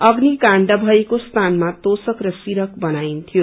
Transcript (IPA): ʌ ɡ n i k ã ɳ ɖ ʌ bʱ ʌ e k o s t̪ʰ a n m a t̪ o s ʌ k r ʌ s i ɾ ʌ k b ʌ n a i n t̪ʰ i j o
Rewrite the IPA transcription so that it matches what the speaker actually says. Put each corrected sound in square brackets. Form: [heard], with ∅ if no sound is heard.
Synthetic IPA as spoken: ʌ ɡ n i k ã ɳ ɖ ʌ bʱ ʌ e k o s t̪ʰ a n m a t̪ o s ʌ k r ʌ s i ɾ ʌ k b ʌ n a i n t̪ʰ i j o